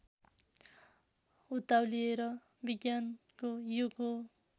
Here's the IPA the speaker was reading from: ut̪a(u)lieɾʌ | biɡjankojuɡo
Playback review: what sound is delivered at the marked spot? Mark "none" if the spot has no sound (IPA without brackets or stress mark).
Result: w